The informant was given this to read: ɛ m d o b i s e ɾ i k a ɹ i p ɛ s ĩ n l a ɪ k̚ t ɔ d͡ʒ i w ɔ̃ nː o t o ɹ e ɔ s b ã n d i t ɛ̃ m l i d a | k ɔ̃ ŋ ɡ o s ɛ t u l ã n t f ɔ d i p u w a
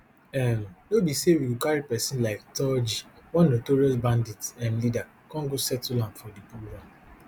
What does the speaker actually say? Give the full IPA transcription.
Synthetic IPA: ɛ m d o b i s e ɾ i k a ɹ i p ɛ s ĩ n l a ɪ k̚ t ɔ d͡ʒ i w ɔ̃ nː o t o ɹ i ɔ s b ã n d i t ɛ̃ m l i d a | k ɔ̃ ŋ ɡ o s ɛ t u l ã n t f ɔ d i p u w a